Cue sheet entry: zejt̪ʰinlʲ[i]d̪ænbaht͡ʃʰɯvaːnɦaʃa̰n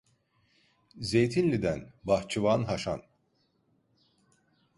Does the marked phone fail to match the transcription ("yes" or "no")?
no